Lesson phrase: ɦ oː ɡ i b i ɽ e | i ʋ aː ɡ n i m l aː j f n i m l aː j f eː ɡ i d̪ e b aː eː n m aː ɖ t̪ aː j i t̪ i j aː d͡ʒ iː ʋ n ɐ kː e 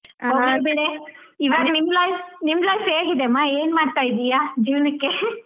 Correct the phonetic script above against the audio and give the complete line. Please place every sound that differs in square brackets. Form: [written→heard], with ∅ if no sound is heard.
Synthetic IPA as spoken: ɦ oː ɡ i b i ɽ e | i ʋ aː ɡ n i m l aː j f n i m l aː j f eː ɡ i d̪ e [b→m] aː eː n m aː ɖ t̪ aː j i [t̪→d̪] i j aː d͡ʒ iː ʋ n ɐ kː e